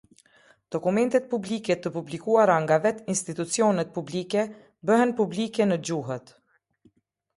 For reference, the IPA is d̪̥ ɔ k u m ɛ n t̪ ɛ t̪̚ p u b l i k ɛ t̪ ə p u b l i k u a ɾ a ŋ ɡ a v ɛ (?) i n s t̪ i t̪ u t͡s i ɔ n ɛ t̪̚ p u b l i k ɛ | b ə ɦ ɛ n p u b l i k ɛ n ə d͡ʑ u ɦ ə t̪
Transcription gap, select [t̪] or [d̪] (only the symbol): t̪